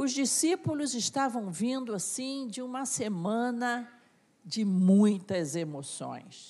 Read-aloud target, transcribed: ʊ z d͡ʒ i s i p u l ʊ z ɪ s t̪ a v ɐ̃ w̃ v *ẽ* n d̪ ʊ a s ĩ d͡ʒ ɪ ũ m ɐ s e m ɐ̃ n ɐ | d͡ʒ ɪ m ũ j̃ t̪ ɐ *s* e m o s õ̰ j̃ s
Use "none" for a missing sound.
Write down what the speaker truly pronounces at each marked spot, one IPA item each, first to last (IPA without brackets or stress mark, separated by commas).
ĩ, z